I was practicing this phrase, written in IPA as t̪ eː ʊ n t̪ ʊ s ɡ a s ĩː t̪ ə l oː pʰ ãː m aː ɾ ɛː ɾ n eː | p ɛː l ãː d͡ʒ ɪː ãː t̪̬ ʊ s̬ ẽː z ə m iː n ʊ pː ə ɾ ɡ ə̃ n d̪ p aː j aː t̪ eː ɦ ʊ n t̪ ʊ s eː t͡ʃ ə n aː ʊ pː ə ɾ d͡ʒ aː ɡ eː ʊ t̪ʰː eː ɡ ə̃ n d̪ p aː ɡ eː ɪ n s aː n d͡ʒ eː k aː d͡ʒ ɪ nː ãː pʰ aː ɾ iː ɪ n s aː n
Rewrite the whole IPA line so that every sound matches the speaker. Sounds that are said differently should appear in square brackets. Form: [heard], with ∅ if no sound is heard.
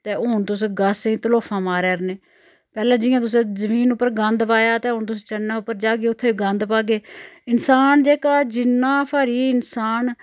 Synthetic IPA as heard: t̪ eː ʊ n t̪ ʊ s ɡ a s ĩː t̪ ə l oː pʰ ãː m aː ɾ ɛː ɾ n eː | p ɛː l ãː d͡ʒ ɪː ãː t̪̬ ʊ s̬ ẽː z ə m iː n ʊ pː ə ɾ ɡ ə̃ n d̪ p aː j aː t̪ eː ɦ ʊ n t̪ ʊ s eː t͡ʃ ə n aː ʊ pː ə ɾ d͡ʒ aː ɡ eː ʊ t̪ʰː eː ɡ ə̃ n d̪ p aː ɡ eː ɪ n s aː n d͡ʒ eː k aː d͡ʒ ɪ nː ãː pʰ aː ɾ iː ɪ n s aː n